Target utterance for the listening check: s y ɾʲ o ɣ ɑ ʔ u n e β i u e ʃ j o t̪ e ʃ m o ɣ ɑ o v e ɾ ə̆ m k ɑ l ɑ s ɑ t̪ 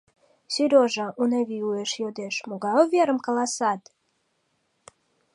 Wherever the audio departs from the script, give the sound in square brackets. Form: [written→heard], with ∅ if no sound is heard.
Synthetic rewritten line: s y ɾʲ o [ɣ→ʒ] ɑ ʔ u n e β i u e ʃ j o [t̪→d̪] e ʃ m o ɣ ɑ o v e ɾ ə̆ m k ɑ l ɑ s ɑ t̪